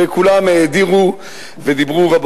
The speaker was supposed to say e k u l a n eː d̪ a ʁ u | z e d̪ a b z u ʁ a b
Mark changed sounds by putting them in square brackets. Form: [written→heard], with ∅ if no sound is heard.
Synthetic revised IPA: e k u l a [n→m] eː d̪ [a→i] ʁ u | [z→v] e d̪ [a→i] b [z→ʁ] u [ʁ→v] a b